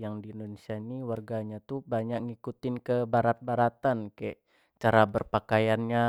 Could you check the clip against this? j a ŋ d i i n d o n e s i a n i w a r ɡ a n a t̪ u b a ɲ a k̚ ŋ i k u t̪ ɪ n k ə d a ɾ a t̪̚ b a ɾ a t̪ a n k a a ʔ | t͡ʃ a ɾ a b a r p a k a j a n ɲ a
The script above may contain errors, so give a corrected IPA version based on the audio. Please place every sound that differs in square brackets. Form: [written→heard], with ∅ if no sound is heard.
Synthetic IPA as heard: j a ŋ d i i n d o n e s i a n i w a r ɡ a [n→ɲ] a t̪ u b a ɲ a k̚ ŋ i k u t̪ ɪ n k ə [d→b] a ɾ a t̪̚ b a ɾ a t̪ a n k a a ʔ | t͡ʃ a ɾ a b [a→ə] r p a k a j a n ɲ a